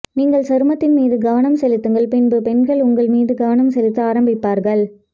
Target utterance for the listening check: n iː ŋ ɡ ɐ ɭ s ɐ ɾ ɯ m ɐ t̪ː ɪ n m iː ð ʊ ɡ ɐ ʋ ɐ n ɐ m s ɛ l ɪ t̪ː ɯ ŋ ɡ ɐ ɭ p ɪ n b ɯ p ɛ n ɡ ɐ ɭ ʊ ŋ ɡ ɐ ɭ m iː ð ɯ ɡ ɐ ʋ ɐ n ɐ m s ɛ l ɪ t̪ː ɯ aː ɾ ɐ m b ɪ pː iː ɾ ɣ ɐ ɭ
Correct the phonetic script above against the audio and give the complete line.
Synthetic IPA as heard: n iː ŋ ɡ ɐ ɭ s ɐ ɾ ɯ m ɐ t̪ː ɪ n m iː ð ɯ ɡ ɐ ʋ ɐ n ɐ m s ɛ l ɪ t̪ː ɯ ŋ ɡ ɐ ɭ p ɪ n b ɯ p ɛ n ɡ ɐ ɭ ʊ ŋ ɡ ɐ ɭ m iː ð ɯ ɡ ɐ ʋ ɐ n ɐ m s ɛ l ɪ t̪ː ɯ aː ɾ ɐ m b ɪ pː aː ɾ ɣ ɐ ɭ

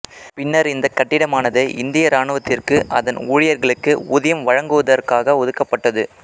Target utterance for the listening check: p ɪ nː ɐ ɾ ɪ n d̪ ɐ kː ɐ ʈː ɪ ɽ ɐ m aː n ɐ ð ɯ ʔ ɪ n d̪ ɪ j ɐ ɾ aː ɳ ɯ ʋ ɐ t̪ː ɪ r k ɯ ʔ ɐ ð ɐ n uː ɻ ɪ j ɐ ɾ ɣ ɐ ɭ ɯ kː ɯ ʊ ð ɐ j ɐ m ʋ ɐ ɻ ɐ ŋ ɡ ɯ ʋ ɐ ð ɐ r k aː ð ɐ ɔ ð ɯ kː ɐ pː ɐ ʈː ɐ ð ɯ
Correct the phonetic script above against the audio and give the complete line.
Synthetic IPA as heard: p ɪ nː ɐ ɾ ɪ n d̪ ɐ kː ɐ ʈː ɪ ɽ ɐ m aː n ɐ ð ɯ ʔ ɪ n d̪ ɪ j ɐ ɾ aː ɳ ɯ ʋ ɐ t̪ː ɪ r k ɯ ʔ ɐ ð ɐ n uː ɻ ɪ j ɐ ɾ ɣ ɐ ɭ ɯ kː ɯ ʊ ð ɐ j ɐ m ʋ ɐ ɻ ɐ ŋ ɡ ɯ ʋ ɐ ð ɐ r k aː ɣ ɐ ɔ ð ɯ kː ɐ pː ɐ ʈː ɐ ð ɯ

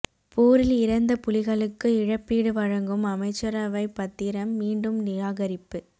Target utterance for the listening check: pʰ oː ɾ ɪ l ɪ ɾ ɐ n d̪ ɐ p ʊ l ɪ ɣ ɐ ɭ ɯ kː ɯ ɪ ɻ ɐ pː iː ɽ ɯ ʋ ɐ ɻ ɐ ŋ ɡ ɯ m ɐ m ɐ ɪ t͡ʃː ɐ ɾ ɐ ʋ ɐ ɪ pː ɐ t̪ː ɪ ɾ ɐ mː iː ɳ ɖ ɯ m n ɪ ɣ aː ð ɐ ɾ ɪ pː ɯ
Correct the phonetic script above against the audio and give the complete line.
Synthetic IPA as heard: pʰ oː ɾ ɪ l ɪ ɾ ɐ n d̪ ɐ p ʊ l ɪ ɣ ɐ ɭ ɯ kː ɯ ɪ ɻ ɐ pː iː ɽ ɯ ʋ ɐ ɻ ɐ ŋ ɡ ɯ m ɐ m ɐ ɪ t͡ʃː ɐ ɾ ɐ ʋ ɐ ɪ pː ɐ t̪ː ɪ ɾ ɐ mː iː ɳ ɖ ɯ m n ɪ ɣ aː ɣ ɐ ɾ ɪ pː ɯ

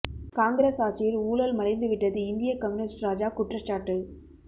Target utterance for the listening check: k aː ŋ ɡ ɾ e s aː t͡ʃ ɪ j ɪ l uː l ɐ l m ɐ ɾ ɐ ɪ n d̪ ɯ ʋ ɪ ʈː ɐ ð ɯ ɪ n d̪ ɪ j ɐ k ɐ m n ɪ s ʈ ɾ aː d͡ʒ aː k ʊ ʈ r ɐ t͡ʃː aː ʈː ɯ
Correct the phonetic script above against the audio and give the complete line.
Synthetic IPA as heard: k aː ŋ ɡ ɾ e s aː t͡ʃ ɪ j ɪ l uː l ɐ l m ɐ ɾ ɐ ɪ n d̪ ɯ ʋ ɪ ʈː ɐ ð ɯ ɪ n d̪ ɪ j ɐ k ɐ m n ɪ s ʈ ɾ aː d͡ʒ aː k ʊ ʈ r ɐ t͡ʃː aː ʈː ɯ

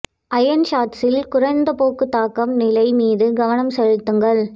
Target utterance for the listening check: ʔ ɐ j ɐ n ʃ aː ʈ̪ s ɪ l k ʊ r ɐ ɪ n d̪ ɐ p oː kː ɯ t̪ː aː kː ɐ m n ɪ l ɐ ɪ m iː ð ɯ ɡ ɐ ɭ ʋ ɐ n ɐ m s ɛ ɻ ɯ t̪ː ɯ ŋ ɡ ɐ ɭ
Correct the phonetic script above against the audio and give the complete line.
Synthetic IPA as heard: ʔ ɐ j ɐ n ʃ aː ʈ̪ s ɪ l k ʊ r ɐ ɪ n d̪ ɐ p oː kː ɯ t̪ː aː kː ɐ m n ɪ l ɐ ɪ m iː ð ɯ ɡ ɐ ʋ ɐ n ɐ m s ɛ ɻ ɯ t̪ː ɯ ŋ ɡ ɐ ɭ

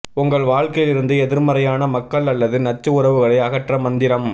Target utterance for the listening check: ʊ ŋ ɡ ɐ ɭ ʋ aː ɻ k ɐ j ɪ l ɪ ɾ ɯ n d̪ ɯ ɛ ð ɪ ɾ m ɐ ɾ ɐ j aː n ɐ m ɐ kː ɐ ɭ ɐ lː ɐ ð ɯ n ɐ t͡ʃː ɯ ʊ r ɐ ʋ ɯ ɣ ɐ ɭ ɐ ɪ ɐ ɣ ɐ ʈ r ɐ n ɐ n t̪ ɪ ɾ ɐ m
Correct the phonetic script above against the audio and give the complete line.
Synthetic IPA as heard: ʊ ŋ ɡ ɐ ɭ ʋ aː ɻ k ɐ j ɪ l ɪ ɾ ɯ n d̪ ɯ ɛ ð ɪ ɾ m ɐ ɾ ɐ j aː n ɐ m ɐ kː ɐ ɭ ɐ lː ɐ ð ɯ n ɐ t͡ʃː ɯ ʊ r ɐ ʋ ɯ ɣ ɐ ɭ ɐ ɪ ɐ ɣ ɐ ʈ r ɐ m ɐ n d̪ ɪ ɾ ɐ m

